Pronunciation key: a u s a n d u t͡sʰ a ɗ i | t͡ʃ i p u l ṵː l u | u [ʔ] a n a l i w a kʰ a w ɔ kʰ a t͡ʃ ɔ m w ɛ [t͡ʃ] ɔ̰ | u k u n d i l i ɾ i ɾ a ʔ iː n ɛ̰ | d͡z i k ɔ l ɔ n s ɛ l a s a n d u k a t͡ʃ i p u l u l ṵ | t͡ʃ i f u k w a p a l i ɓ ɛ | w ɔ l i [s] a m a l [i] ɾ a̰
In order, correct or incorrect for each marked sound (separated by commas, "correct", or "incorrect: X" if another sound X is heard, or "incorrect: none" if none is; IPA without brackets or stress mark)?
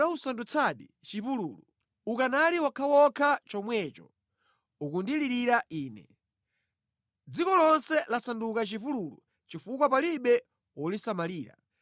incorrect: k, correct, correct, incorrect: iː